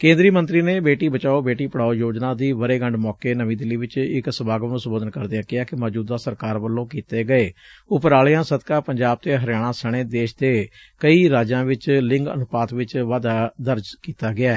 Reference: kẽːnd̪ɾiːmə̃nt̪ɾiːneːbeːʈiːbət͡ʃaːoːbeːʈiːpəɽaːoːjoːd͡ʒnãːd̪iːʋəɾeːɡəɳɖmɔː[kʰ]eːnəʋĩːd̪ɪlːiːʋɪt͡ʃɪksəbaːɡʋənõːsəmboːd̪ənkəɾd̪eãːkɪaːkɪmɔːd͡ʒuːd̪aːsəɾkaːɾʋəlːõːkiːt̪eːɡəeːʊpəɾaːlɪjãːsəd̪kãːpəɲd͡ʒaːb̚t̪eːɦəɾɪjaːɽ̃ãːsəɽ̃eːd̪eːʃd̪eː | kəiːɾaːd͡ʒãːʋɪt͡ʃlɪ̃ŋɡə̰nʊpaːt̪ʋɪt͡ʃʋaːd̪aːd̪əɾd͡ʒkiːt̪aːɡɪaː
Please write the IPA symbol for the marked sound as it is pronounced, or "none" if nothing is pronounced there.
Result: k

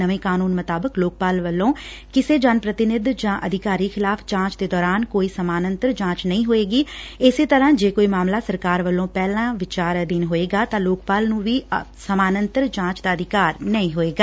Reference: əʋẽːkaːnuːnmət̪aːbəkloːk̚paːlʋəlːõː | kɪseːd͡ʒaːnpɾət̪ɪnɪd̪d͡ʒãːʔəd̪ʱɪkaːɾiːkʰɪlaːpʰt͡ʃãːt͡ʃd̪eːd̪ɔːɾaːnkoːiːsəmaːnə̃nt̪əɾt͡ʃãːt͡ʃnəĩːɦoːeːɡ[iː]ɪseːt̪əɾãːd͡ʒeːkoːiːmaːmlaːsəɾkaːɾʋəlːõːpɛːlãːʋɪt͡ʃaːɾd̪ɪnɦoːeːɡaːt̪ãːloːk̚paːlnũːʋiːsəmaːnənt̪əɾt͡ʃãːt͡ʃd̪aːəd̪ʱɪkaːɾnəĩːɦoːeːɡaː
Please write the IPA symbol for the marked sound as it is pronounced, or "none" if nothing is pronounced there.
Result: iː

